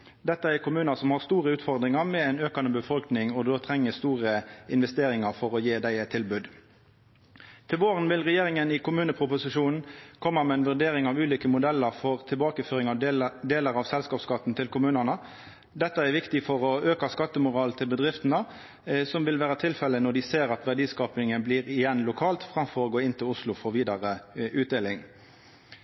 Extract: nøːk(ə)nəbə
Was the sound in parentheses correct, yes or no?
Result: no